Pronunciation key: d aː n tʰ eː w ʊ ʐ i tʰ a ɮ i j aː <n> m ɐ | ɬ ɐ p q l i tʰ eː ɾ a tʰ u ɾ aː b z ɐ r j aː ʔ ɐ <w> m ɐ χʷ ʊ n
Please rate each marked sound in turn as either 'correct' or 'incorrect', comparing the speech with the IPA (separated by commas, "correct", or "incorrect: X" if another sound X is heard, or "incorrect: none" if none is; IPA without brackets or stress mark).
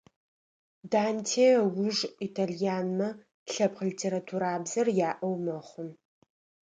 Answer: correct, correct